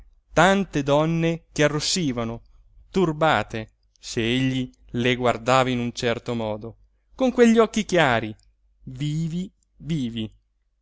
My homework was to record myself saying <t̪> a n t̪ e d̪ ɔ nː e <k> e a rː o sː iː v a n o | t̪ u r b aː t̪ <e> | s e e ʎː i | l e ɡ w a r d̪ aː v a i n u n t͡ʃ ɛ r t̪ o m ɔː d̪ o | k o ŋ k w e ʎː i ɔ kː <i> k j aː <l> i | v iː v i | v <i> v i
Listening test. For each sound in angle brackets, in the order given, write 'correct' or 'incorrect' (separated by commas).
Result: correct, correct, correct, correct, incorrect, incorrect